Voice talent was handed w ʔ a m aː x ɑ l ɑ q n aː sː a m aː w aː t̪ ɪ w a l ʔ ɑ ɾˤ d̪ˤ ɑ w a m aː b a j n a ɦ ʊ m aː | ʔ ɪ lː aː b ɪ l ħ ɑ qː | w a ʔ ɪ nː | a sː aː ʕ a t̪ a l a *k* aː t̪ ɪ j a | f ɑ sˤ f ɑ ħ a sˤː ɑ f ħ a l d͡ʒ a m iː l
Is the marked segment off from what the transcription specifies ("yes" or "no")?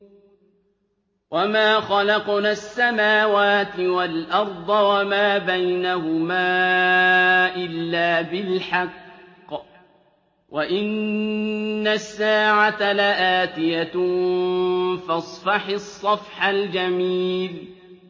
yes